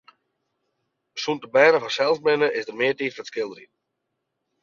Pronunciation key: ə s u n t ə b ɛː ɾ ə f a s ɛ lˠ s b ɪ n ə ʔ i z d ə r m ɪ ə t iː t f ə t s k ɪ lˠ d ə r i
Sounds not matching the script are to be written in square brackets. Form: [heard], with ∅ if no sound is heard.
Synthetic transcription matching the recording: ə s u n t ə b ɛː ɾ ə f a s ɛ lˠ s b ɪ n ə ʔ [ɪ] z d ə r m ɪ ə t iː t f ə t s k ɪ lˠ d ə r i

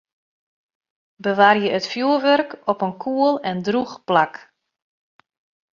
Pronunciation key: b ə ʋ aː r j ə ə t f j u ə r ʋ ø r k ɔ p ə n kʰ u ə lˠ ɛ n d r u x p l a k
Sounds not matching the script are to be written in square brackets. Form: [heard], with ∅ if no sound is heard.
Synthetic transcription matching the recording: b ə ʋ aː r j ə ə t f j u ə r ʋ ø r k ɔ p ə n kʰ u ə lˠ ɛ n d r u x p l a k

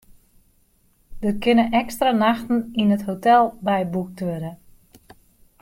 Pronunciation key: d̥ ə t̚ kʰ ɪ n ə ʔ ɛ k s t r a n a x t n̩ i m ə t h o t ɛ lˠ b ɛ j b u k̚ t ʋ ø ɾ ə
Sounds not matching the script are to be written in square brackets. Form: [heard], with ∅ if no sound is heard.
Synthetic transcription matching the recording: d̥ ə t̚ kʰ ɪ n ə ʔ ɛ k s t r a n a x t n̩ i [n] ə t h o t ɛ lˠ b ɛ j b u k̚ t ʋ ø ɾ ə

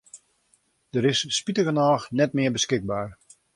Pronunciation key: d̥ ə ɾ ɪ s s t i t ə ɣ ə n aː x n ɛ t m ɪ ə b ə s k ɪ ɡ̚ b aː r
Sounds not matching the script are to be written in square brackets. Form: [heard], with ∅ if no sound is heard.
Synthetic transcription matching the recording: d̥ ə ɾ ɪ s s [p] i t ə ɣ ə n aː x n ɛ t m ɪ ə b ə s k ɪ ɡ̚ b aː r

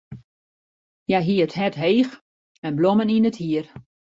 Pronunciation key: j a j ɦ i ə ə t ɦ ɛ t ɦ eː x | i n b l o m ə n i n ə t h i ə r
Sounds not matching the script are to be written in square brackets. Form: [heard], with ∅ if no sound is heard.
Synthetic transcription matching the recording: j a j ɦ i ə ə t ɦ ɛ t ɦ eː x | [ɛ] n b l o m ə n i n ə t h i ə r

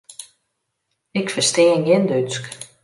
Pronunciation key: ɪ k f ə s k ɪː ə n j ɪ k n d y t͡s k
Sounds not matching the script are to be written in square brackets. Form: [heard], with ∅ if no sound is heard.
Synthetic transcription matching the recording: ɪ k f ə s [t] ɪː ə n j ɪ [∅] n d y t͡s k

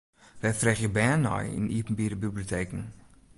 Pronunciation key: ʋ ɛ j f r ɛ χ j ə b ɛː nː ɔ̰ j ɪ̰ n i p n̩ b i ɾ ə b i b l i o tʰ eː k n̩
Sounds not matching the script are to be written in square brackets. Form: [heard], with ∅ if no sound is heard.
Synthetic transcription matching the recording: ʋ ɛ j f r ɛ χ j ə b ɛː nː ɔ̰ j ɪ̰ n i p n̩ b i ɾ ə b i b l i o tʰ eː k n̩

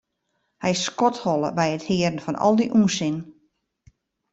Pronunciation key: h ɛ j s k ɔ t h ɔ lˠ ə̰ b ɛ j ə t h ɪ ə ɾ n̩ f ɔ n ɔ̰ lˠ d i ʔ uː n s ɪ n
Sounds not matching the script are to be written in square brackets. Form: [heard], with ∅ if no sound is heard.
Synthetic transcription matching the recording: h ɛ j s k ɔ t h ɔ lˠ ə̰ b ɛ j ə t h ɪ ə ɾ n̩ f ɔ n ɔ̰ lˠ d i ʔ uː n s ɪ n

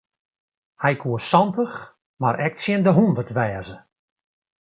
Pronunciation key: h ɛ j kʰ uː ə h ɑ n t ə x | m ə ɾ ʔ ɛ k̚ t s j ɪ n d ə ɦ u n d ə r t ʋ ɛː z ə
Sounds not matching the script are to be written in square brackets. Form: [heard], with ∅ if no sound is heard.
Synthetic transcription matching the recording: h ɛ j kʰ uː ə [s] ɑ n t ə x | m [a] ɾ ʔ ɛ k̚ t s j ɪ n d ə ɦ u n d ə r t ʋ ɛː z ə

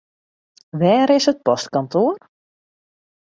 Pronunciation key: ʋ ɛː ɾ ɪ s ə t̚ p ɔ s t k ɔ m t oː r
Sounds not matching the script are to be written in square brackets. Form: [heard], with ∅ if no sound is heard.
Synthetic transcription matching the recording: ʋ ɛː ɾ ɪ s ə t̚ p ɔ s t k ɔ [n] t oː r

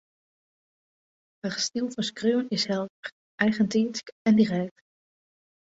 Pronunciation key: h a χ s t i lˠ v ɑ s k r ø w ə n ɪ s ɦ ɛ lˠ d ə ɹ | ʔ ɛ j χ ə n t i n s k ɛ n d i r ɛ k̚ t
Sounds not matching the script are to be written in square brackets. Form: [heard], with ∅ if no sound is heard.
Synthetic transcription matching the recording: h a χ s t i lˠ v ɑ s k r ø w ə n ɪ s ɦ ɛ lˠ d ə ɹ | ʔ ɛ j χ ə n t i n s k ɛ n d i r ɛ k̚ t

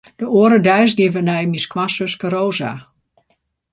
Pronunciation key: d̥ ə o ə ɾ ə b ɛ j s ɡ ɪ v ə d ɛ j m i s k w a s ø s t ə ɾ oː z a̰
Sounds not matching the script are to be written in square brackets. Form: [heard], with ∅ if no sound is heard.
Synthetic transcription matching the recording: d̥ ə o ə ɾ ə [d] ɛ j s ɡ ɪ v ə [n] ɛ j m i s k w a s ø s [k] ə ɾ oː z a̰

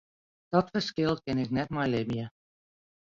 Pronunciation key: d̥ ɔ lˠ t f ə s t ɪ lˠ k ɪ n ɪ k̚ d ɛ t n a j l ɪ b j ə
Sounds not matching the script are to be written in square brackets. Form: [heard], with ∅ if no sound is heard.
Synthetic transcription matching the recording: d̥ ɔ [∅] t f ə s [k] ɪ lˠ k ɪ n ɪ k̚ [n] ɛ t [m] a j l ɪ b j ə

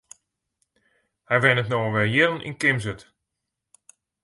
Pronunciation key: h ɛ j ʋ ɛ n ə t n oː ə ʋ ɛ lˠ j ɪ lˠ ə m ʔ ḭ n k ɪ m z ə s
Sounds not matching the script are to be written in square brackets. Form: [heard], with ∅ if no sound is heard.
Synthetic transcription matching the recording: h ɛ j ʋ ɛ n ə t n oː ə ʋ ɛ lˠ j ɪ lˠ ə [n] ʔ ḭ n k ɪ m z ə [t]

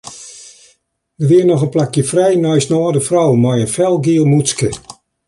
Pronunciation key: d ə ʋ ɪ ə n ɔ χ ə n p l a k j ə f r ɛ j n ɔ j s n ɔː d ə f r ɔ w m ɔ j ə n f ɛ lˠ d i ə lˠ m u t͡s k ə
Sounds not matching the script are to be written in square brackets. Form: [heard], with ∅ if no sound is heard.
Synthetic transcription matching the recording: d ə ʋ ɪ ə n ɔ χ ə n p l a k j ə f r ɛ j n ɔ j s n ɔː d ə f r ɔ w m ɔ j ə n f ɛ lˠ [ɡ] i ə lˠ m u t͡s k ə

